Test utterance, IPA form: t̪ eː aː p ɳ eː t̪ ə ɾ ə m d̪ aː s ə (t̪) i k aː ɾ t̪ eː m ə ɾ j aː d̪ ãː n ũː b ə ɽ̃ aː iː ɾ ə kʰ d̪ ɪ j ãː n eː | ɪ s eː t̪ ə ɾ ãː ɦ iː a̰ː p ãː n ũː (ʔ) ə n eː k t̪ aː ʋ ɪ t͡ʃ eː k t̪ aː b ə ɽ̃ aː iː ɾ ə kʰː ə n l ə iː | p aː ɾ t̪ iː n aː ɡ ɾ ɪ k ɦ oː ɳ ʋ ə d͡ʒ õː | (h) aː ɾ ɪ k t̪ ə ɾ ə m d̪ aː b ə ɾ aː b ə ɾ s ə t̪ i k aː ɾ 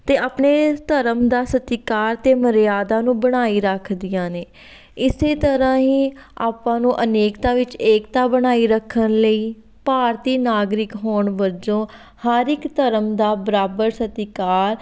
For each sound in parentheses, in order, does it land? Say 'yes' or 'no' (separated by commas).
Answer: yes, yes, yes